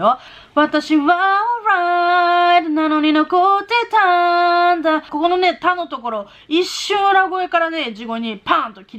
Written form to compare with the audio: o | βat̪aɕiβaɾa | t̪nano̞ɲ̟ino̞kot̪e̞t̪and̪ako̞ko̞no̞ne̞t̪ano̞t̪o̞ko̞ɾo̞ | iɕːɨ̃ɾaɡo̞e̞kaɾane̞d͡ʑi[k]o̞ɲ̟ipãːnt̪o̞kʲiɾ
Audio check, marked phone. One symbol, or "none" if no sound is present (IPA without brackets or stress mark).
ɡ